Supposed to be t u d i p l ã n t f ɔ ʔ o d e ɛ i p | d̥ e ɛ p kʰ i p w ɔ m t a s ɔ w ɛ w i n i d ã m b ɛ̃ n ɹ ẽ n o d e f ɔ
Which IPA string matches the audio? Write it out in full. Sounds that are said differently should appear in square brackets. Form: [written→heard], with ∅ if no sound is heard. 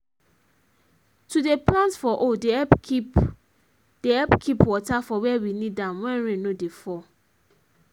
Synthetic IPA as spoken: t u d [i→e] p l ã n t f ɔ ʔ o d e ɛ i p | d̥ e ɛ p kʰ i p w ɔ [m→∅] t a [s→f] ɔ w ɛ w i n i d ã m [b→w] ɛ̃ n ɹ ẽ n o d e f ɔ